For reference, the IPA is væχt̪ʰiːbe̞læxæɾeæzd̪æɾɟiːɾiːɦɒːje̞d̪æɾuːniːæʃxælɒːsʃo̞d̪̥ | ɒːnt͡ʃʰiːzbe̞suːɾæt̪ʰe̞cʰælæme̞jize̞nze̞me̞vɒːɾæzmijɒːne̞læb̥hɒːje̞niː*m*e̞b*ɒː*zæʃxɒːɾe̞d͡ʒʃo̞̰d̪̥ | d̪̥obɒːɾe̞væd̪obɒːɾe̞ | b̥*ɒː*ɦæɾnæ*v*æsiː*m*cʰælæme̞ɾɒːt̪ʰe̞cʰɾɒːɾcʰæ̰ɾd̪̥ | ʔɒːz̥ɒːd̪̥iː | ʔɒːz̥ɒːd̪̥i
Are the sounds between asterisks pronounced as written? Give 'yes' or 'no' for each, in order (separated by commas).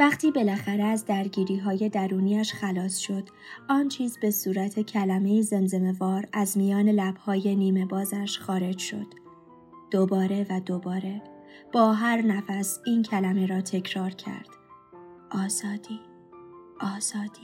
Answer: yes, yes, yes, no, no